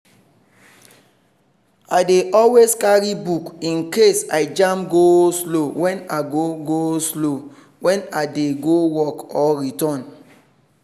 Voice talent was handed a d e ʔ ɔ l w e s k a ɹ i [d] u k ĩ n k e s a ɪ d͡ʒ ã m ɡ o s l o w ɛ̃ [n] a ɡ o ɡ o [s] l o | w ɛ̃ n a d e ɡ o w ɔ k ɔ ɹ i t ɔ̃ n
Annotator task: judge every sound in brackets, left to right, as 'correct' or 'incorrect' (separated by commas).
incorrect, correct, correct